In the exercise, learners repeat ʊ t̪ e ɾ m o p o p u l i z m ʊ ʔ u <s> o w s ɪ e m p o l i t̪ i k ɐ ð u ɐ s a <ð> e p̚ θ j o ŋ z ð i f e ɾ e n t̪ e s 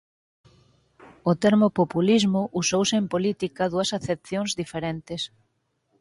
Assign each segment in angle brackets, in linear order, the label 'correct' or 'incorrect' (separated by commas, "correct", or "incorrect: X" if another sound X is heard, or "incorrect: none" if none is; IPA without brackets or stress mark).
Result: correct, incorrect: θ